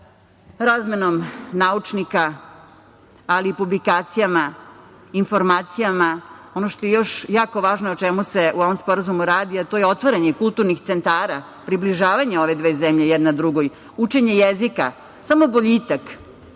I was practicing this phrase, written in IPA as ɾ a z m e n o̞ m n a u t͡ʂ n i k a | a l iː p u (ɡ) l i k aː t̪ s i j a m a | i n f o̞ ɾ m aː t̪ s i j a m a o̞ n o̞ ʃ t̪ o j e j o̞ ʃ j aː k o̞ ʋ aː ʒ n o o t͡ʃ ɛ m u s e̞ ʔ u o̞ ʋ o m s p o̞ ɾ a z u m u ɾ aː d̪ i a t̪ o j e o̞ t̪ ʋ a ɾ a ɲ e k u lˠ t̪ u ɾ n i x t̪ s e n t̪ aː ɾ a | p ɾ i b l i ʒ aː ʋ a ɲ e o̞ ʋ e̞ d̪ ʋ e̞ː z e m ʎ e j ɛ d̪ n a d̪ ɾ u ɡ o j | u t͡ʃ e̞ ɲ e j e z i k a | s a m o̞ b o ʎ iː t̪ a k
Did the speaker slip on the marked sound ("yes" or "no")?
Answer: yes